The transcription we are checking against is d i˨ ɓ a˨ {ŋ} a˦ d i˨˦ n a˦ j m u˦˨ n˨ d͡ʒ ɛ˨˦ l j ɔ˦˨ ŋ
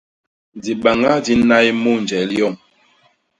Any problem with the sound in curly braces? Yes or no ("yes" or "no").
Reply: no